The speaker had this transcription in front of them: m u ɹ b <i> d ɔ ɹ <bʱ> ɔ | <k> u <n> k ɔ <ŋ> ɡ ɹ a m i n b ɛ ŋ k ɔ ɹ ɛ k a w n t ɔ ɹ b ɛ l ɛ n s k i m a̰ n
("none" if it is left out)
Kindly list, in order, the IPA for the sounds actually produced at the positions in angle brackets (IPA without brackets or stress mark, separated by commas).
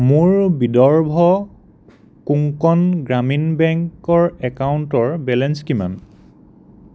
i, bʱ, k, ŋ, n